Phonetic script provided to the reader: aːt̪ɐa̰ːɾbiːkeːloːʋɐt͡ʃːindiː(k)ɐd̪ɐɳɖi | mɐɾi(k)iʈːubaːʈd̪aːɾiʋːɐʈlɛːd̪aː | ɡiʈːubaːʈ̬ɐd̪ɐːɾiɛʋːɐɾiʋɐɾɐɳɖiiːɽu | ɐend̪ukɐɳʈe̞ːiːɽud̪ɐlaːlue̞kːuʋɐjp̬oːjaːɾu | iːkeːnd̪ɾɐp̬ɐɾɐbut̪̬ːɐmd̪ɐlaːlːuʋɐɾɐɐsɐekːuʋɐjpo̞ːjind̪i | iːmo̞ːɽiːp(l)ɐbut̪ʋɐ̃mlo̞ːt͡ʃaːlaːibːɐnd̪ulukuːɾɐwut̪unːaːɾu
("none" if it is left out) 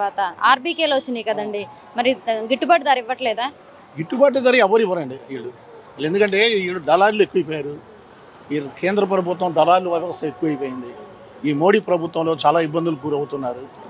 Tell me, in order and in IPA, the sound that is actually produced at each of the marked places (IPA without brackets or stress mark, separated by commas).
k, ɡ, ɾ